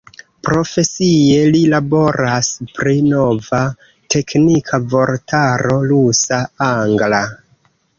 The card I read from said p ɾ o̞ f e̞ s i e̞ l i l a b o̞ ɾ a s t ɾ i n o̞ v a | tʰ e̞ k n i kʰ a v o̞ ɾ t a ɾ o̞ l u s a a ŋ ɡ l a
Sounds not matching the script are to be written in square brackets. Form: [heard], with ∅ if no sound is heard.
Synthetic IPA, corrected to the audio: p ɾ o̞ f e̞ s i e̞ l i l a b o̞ ɾ a s [p] ɾ i n o̞ v a | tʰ e̞ k n i kʰ a v o̞ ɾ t a ɾ o̞ l u s a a ŋ ɡ l a